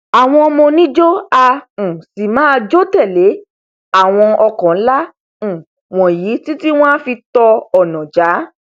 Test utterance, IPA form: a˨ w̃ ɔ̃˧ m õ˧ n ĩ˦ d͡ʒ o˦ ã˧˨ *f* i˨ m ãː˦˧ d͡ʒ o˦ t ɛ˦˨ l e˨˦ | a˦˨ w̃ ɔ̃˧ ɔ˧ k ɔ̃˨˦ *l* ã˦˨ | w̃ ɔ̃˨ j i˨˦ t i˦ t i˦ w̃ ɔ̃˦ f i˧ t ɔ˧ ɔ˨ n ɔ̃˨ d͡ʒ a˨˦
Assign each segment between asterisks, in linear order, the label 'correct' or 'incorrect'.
incorrect, correct

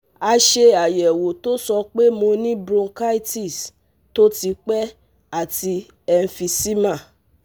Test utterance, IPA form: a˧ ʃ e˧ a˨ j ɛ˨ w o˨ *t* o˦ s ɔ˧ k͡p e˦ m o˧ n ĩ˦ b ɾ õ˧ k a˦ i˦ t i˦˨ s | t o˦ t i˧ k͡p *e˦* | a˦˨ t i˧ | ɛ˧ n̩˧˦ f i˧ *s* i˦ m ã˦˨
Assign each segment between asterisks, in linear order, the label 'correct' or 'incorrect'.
correct, incorrect, correct

